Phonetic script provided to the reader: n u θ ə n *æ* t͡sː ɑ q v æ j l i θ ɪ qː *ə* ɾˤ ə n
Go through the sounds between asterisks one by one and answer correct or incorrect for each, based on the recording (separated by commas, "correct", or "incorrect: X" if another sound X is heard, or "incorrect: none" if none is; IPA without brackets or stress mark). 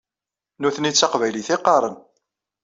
incorrect: i, incorrect: ɑ